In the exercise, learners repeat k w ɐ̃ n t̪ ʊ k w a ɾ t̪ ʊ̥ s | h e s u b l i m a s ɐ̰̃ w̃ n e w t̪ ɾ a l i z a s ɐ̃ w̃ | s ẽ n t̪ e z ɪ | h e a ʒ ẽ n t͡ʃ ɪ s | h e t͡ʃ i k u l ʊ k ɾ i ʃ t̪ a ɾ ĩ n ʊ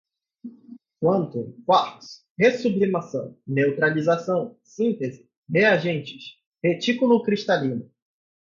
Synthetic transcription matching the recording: k w ɐ̃ n t̪ ʊ k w a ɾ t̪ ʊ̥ s | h e s u b l i m a s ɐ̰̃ w̃ n e w t̪ ɾ a l i z a s ɐ̃ w̃ | s ĩ n t̪ e z ɪ | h e a ʒ ẽ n t͡ʃ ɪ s | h e t͡ʃ i k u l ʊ k ɾ i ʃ t̪ a l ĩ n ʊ